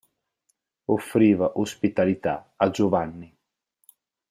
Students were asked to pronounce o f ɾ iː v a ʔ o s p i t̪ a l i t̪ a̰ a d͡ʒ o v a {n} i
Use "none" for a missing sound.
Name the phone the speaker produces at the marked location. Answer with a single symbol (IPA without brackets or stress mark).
nː